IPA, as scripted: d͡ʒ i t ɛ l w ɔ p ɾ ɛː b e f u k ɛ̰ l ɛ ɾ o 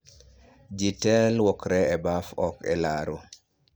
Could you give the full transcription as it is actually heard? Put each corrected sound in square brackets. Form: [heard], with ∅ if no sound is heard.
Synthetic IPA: d͡ʒ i t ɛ l w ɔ [k] ɾ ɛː b [a] f [ɔ] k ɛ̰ l [a] ɾ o